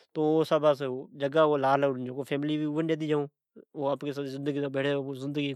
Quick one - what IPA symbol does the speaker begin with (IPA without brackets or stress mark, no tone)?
t̪